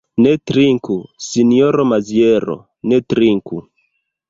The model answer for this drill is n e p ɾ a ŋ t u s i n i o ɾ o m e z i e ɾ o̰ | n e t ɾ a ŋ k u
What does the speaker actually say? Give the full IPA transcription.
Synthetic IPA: n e t ɾ i ŋ k u s i n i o ɾ o m a z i e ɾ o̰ | n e t ɾ i ŋ k u